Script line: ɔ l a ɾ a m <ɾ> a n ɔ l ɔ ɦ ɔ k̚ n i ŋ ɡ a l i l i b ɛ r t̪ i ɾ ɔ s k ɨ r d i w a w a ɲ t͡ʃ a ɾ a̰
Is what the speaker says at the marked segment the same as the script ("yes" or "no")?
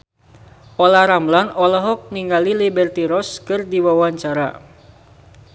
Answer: no